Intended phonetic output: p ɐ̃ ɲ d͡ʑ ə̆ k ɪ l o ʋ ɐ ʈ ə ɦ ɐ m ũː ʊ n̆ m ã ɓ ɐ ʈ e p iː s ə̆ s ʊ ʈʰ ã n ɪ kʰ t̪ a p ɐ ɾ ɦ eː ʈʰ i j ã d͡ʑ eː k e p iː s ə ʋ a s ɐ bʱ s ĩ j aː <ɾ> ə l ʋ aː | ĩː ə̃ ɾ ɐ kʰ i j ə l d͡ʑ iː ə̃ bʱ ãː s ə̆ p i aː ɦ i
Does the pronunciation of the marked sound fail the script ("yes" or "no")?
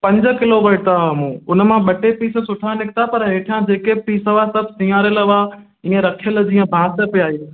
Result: no